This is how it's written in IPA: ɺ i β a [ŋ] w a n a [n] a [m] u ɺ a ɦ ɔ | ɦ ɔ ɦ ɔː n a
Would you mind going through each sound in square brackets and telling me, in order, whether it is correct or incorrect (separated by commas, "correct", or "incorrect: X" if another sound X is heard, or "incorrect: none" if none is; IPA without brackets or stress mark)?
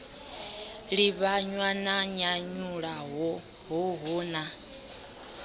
incorrect: ɲ, incorrect: ɲ, incorrect: ɲ